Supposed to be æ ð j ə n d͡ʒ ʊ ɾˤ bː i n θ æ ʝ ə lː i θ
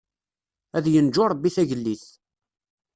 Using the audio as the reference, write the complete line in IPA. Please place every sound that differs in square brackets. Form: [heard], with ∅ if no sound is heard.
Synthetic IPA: æ ð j ə n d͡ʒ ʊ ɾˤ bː i [∅] θ æ ʝ ə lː i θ

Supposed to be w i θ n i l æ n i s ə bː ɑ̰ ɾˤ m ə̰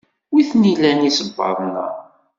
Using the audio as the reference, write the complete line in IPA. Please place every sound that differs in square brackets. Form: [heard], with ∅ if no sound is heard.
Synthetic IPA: w i θ n i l æ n i s ə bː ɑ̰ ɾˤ [n] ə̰

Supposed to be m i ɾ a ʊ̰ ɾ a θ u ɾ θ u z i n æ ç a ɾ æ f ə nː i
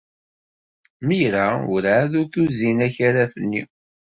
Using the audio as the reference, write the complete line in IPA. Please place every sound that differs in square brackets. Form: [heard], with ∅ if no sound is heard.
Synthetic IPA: m i ɾ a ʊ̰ ɾ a [ð] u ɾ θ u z i n æ ç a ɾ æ f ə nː i

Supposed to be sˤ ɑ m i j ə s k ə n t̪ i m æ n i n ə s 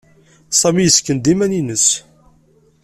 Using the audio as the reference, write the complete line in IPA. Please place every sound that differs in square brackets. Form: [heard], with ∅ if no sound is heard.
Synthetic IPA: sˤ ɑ m i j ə s k ə n [d̪] i m æ n i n ə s

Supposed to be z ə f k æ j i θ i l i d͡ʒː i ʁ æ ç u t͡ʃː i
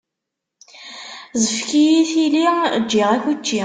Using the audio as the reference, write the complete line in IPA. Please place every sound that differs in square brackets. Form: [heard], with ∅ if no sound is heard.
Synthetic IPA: z ə f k [i] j i θ i l i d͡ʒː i ʁ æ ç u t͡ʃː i

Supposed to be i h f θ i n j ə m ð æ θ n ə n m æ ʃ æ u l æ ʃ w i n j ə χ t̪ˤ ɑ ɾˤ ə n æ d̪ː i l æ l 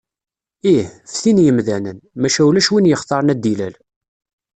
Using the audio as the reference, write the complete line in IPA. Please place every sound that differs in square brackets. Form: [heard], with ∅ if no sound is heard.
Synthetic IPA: i h f θ i n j ə m ð æ [∅] n ə n m æ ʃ æ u l æ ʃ w i n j ə χ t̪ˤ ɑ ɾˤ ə n æ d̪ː i l æ l

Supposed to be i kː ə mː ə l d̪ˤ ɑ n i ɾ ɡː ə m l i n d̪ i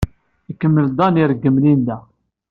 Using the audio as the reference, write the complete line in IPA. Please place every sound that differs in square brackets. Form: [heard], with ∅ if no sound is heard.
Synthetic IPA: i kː ə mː ə l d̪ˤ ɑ n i ɾ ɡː ə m l i n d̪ [æ]

